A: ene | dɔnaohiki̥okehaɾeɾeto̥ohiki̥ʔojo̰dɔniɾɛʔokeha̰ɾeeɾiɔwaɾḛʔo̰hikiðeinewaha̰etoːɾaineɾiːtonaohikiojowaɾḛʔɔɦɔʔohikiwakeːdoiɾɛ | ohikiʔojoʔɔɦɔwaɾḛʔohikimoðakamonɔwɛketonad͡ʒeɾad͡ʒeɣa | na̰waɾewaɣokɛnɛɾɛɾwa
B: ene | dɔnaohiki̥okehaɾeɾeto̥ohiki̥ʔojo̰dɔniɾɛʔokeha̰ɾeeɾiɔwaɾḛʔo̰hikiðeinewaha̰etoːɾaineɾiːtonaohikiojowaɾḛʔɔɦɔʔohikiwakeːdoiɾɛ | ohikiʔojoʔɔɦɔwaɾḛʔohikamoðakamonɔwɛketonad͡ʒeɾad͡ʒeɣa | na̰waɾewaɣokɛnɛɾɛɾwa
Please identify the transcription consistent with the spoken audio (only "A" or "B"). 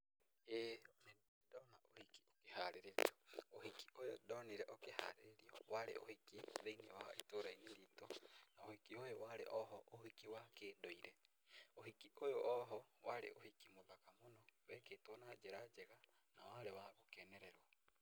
A